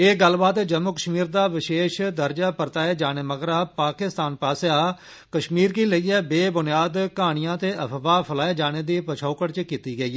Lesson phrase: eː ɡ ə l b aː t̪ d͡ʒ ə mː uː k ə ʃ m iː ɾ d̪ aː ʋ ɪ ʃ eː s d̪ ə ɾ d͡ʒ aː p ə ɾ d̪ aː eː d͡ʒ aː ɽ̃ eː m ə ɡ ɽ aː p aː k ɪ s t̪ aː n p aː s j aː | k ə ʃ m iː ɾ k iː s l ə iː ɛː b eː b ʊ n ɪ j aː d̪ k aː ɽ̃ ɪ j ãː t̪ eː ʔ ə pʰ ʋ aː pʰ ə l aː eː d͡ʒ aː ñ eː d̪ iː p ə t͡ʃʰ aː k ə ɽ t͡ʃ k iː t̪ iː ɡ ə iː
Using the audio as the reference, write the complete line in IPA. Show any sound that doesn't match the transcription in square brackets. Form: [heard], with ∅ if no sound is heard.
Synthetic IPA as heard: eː ɡ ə l b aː t̪ d͡ʒ ə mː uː k ə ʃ m iː ɾ d̪ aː ʋ ɪ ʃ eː [ʃ] d̪ ə ɾ d͡ʒ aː p ə ɾ [t̪] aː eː d͡ʒ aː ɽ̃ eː m ə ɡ [ɾ] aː p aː k ɪ s t̪ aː n p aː s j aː | k ə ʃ m iː ɾ k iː [∅] l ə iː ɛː b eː b ʊ n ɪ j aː d̪ k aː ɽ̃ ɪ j ãː t̪ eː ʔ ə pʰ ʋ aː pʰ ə l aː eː d͡ʒ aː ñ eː d̪ iː p ə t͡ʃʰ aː k ə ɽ t͡ʃ k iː t̪ iː ɡ ə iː

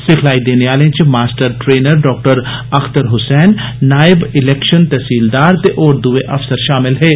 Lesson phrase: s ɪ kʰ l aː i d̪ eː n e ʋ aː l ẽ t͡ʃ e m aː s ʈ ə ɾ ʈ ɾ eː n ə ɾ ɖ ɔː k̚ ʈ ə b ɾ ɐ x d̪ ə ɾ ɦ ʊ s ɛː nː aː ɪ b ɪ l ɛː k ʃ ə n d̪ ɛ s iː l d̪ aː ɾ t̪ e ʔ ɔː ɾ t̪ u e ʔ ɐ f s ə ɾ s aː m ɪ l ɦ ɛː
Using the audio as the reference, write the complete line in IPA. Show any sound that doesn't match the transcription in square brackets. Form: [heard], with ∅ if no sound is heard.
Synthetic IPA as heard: s ɪ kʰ l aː i d̪ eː n e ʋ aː l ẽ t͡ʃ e m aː s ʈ ə ɾ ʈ ɾ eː n ə ɾ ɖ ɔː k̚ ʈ ə [∅] ɾ ɐ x [t̪] ə ɾ ɦ ʊ s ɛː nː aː ɪ b ɪ l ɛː k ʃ ə n [t̪] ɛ s iː l d̪ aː ɾ t̪ e ʔ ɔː ɾ [d̪] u e ʔ ɐ f s ə ɾ [ʃ] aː m ɪ l ɦ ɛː

